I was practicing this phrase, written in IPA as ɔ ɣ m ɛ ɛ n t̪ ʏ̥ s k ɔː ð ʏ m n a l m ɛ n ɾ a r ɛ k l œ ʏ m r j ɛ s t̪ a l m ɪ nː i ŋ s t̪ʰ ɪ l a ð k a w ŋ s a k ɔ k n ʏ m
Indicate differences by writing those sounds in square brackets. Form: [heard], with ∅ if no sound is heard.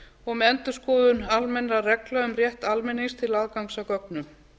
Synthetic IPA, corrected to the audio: ɔ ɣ m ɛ ɛ n t̪ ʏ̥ s k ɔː ð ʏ [∅] n a l m ɛ n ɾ a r ɛ k l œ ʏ m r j ɛ [h] t̪ a l m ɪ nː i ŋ s t̪ʰ ɪ l a ð k a w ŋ s a k ɔ k n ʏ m